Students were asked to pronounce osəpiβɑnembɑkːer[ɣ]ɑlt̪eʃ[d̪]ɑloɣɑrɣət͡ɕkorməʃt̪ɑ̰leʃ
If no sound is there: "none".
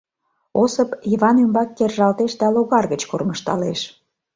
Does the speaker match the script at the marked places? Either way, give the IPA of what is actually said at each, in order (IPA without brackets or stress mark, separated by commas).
ʒ, d̪